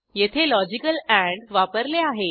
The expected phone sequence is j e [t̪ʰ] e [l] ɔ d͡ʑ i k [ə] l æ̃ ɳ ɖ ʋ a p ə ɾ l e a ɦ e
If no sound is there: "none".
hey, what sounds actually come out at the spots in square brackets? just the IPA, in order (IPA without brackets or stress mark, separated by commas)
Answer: t̪ʰ, l, ə